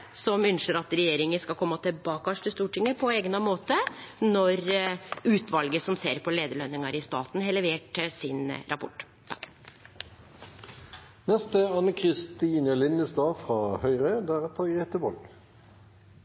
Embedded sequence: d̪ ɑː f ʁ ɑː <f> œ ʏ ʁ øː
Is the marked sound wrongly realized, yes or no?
yes